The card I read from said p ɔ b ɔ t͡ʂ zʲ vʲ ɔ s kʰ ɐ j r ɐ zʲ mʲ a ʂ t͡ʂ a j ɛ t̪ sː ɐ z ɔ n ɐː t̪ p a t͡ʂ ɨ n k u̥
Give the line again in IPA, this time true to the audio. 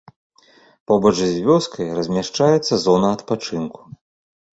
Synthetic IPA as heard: p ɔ b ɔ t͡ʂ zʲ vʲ ɔ s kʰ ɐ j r ɐ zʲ mʲ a ʂ t͡ʂ a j ɛ t̪ sː ɐ z ɔ n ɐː t̪ p a t͡ʂ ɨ n k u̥